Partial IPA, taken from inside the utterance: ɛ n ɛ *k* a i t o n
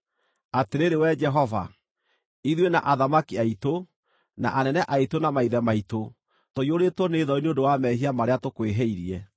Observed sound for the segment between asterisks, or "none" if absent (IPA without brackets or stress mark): ʔ